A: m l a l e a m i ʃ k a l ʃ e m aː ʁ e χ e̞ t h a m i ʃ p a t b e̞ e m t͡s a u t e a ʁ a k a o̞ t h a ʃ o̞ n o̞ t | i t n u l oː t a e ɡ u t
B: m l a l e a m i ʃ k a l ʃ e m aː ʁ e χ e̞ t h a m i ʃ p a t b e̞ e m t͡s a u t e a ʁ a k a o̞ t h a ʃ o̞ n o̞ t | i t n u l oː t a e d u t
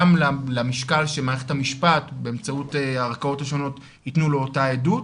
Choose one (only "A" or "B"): B